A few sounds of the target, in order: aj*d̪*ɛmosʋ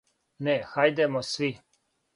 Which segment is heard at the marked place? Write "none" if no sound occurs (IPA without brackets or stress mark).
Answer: d̪